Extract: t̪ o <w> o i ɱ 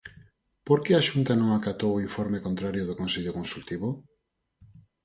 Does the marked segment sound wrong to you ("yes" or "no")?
no